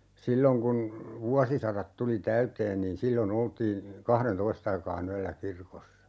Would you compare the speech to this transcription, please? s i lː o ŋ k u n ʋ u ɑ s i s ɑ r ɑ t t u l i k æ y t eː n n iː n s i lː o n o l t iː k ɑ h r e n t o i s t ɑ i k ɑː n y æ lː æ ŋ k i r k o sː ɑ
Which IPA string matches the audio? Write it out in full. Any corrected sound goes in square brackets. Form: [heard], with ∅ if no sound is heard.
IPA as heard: s i lː o ŋ k u n ʋ u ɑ s i s ɑ r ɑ t t u l i [t] æ y t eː n n iː n s i lː o n o l t iː k ɑ h r e n t o i s t ɑ i k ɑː n y æ lː æ [∅] k i r k o sː ɑ